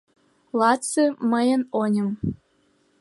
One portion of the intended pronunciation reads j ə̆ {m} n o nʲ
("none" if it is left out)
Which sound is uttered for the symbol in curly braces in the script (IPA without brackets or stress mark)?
none